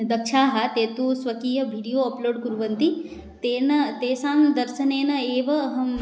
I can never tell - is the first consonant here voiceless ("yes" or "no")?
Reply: no